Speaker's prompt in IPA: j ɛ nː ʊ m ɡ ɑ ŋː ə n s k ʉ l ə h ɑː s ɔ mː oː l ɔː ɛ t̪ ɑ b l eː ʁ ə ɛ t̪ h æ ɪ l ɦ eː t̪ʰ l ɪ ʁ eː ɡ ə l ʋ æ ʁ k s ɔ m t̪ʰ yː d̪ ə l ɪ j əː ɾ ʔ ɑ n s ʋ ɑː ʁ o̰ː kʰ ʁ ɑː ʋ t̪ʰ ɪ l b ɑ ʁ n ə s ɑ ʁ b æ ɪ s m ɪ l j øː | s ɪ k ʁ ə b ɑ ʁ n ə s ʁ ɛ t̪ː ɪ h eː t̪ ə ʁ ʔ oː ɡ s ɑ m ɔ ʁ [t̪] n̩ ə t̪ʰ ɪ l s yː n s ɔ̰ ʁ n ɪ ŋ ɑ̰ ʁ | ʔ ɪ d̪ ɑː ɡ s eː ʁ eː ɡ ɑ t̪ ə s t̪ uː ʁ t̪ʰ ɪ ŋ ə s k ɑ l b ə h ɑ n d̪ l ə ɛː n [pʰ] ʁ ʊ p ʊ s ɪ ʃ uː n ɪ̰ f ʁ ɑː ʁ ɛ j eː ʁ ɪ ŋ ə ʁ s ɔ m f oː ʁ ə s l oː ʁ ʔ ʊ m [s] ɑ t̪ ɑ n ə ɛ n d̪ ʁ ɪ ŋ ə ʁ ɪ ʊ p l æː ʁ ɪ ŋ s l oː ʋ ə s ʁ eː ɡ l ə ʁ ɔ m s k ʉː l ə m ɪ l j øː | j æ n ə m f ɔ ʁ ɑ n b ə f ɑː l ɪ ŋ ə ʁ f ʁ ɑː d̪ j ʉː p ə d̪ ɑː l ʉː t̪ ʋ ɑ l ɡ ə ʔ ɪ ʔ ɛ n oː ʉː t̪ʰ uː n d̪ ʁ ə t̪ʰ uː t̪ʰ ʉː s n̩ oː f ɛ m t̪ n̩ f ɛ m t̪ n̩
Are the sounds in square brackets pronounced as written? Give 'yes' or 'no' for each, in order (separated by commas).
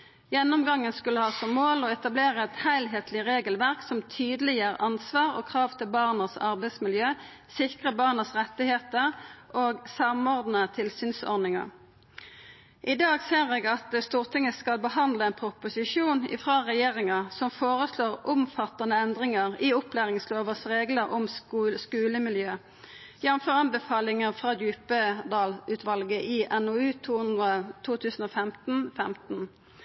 no, yes, no